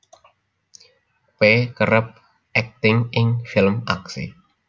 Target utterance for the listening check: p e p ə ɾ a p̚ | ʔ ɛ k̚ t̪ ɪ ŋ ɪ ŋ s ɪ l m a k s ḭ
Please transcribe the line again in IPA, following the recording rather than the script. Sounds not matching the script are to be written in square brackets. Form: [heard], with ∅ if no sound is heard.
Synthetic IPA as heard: p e [k] ə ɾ [ə] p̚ | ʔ ɛ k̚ t̪ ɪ ŋ ɪ ŋ [f] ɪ l m a k s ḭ

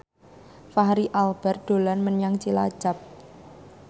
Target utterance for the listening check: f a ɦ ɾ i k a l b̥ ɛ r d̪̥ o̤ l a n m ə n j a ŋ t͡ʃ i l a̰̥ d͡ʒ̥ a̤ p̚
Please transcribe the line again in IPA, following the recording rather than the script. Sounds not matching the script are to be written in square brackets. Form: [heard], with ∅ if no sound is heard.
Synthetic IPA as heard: f a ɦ ɾ i [ʔ] a l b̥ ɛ r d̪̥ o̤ l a n m ə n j a ŋ t͡ʃ i l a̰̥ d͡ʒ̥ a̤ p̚

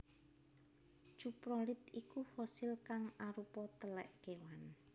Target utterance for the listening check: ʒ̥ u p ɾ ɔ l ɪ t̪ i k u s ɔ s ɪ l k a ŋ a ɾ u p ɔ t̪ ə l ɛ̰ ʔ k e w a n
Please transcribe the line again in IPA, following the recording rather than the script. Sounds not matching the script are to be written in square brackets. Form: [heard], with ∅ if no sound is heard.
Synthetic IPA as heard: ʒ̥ u p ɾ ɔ l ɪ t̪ i k u [f] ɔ s ɪ l k a ŋ a ɾ u p ɔ t̪ ə l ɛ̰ ʔ k e w a n

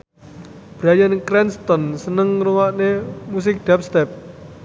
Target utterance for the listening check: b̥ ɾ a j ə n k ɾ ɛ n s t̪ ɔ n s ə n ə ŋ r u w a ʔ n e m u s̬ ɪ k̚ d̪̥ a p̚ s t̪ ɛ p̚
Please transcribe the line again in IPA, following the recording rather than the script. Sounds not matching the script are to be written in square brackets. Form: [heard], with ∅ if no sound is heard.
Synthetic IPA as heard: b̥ ɾ a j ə n k ɾ ɛ n s t̪ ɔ n s ə n ə ŋ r u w a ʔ n e m u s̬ ɪ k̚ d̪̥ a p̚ s t̪ ɛ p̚

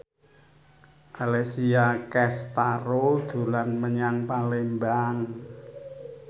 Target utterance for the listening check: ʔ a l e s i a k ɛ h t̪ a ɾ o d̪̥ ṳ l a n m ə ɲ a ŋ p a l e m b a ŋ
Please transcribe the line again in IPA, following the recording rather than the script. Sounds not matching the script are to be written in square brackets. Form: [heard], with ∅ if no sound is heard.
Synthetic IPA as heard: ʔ a l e s i a k ɛ [s] t̪ a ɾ o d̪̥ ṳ l a n m ə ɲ a ŋ p a l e m b a ŋ

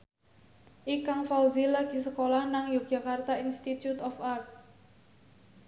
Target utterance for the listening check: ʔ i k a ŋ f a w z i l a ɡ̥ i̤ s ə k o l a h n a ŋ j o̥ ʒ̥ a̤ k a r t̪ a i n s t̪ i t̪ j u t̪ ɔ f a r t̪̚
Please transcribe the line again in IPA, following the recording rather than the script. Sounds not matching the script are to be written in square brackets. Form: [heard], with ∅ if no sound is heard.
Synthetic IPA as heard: ʔ i k a ŋ f a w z i l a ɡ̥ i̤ s ə k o l a h n a ŋ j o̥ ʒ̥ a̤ k a r t̪ a i n s t̪ i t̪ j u t̪ ɔ f a r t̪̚

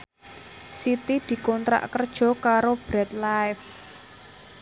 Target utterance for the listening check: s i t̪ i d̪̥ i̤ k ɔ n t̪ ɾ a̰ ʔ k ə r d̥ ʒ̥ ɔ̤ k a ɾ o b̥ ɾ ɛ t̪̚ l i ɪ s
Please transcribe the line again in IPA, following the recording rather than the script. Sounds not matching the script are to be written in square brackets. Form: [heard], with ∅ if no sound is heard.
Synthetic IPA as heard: s i t̪ i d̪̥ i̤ k ɔ n t̪ ɾ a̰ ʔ k ə r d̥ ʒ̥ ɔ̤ k a ɾ o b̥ ɾ ɛ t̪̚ l [a] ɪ [f]

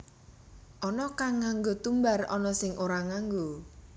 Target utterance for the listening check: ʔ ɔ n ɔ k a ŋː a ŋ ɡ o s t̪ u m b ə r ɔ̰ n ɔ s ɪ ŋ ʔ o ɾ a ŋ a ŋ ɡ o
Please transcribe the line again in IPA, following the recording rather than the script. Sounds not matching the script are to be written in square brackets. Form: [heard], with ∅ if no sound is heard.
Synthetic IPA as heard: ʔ ɔ n ɔ k a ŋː a ŋ ɡ o [∅] t̪ u m b [a] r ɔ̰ n ɔ s ɪ ŋ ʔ o ɾ a ŋ a ŋ ɡ o

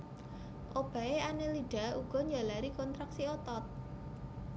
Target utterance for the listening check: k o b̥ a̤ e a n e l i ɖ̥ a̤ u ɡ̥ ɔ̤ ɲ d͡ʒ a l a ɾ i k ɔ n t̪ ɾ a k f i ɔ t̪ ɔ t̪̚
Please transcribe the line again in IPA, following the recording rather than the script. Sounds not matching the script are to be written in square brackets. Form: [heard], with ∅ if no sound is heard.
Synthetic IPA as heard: [ʔ] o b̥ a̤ e a n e l i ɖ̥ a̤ u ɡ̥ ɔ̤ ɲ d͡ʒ a l a ɾ i k ɔ n t̪ ɾ a k [s] i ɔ t̪ ɔ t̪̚

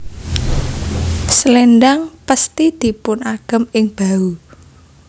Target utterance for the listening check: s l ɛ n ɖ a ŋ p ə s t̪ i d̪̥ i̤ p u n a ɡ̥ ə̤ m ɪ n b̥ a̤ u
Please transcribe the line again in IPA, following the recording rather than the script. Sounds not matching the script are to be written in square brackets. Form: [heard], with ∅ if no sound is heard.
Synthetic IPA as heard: s l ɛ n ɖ a ŋ p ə s t̪ i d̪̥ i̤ p [ʊ] n a ɡ̥ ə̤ m ɪ [ŋ] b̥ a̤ u

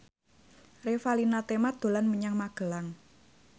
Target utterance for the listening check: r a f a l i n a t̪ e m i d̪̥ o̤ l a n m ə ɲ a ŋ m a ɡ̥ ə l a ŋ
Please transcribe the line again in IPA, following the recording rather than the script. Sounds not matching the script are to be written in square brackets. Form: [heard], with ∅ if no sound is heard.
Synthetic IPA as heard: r [e] f a l i n a t̪ e m [a] d̪̥ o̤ l a n m ə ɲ a ŋ m a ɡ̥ ə l a ŋ

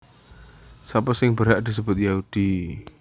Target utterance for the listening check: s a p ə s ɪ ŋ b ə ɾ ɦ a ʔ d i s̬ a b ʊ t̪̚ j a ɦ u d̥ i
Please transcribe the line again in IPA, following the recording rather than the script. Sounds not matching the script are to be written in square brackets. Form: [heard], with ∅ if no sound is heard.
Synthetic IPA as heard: s a p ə s ɪ ŋ b ə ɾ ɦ a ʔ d i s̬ [ə] b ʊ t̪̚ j a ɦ u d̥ i

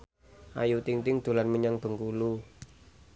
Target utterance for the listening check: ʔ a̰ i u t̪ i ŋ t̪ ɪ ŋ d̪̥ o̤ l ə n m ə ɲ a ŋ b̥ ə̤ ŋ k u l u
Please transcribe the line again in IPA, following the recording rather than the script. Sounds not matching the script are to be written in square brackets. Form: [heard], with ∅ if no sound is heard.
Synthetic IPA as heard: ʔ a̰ [j] u t̪ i ŋ t̪ ɪ ŋ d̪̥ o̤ l [a] n m ə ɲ a ŋ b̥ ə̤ ŋ k u l u

